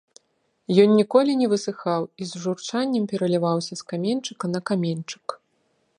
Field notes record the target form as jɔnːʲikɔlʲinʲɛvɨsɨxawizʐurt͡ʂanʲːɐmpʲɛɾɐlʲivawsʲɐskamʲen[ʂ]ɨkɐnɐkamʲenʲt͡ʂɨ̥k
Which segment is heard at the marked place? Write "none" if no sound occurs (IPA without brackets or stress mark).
t͡ʂ